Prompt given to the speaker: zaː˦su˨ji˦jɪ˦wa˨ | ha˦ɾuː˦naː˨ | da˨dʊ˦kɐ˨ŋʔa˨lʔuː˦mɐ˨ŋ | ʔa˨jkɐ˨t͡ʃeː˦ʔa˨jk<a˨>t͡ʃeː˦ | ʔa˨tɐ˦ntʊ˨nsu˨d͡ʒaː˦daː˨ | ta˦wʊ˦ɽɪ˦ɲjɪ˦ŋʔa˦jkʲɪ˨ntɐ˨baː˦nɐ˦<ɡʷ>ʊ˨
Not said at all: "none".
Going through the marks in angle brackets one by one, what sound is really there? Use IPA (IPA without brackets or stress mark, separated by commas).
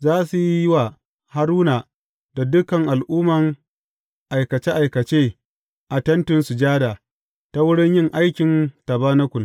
ɐ˨, kʷ